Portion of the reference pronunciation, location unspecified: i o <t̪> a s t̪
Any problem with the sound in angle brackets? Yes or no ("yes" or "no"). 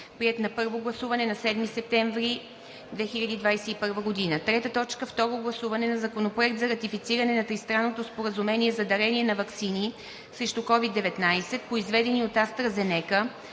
no